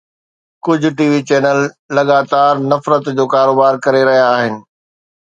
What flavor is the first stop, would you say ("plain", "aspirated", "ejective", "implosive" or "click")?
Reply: plain